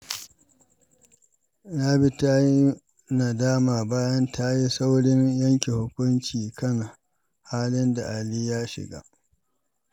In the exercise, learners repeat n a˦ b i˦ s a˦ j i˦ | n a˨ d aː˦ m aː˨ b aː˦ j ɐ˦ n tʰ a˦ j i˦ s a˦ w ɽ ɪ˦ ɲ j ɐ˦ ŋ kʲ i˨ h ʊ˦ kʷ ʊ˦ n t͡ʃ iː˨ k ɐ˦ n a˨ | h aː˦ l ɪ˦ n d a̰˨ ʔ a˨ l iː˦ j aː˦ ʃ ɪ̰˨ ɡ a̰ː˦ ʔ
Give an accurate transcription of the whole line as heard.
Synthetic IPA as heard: n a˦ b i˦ t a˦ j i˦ | n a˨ d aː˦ m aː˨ b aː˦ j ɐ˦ n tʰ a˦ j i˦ s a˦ w ɽ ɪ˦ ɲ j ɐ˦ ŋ kʲ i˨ h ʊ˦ kʷ ʊ˦ n t͡ʃ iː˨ k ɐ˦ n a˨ | h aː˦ l ɪ˦ n d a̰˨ ʔ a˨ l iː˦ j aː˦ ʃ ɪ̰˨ ɡ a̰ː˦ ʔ

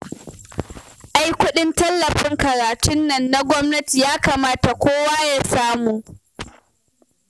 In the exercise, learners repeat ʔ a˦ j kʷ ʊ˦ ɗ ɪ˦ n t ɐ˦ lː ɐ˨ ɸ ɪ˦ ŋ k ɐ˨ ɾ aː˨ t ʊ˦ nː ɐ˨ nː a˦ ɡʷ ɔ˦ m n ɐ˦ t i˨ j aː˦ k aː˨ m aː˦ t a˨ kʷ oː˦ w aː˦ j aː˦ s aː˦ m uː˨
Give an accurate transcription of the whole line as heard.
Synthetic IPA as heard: ʔ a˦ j kʷ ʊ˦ ɗ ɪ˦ n t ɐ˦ lː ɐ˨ ɸ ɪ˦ ŋ k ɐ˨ ɾ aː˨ t ʊ˦ nː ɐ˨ nː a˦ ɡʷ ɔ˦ m n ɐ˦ t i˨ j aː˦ k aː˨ m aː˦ t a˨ kʷ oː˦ w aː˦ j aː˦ s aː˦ m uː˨

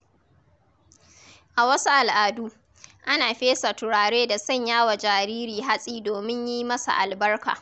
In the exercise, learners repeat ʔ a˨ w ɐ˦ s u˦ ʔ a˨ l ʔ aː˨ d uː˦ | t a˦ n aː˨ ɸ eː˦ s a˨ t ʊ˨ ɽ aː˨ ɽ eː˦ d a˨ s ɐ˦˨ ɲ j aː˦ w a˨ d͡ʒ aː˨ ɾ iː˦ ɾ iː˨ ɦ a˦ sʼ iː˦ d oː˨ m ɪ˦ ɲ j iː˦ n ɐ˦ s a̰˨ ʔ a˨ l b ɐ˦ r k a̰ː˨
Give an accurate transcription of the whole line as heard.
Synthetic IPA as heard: ʔ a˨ w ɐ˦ s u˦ ʔ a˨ l ʔ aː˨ d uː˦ | ʔ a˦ n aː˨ ɸ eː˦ s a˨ t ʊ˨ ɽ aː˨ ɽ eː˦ d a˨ s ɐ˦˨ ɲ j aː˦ w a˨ d͡ʒ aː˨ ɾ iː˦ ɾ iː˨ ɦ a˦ sʼ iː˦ d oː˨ m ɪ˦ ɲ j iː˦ m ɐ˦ s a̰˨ ʔ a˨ l b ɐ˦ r k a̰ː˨

